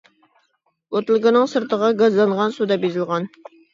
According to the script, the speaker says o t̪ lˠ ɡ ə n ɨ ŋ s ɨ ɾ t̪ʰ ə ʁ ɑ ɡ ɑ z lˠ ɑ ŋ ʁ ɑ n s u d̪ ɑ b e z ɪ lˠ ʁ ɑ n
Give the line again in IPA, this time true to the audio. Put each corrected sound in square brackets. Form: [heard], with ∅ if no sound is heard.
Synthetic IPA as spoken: o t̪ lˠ ɡ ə n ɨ ŋ s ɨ ɾ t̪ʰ ə ʁ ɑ ɡ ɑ z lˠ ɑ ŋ ʁ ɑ n s u d̪ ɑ b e z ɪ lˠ ʁ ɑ n